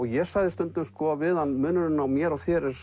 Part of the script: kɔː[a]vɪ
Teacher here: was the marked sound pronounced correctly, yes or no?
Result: yes